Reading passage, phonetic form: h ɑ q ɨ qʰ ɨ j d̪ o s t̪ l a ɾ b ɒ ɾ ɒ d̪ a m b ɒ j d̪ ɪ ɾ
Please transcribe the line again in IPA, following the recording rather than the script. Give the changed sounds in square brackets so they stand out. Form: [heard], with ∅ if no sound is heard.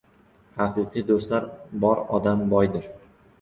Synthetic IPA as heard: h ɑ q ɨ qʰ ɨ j d̪ o s t̪ l a ɾ b ɒ ɾ ɒ d̪ a m b ɒ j d̪ ɪ ɾ